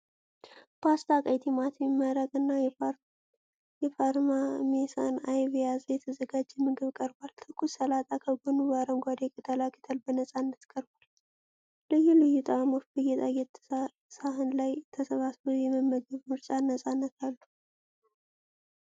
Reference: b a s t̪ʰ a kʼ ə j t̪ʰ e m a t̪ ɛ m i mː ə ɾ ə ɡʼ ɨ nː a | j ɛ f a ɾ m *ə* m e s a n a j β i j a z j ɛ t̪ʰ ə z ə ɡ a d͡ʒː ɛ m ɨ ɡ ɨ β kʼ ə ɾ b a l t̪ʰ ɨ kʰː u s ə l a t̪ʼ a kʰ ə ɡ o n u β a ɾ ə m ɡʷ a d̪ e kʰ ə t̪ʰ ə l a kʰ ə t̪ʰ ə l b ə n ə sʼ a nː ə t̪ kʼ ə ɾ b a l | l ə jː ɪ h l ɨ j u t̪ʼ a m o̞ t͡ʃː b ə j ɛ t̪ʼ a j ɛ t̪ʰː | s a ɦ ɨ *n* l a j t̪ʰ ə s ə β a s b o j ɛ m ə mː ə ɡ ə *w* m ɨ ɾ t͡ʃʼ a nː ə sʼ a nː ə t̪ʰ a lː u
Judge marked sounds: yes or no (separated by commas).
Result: no, yes, no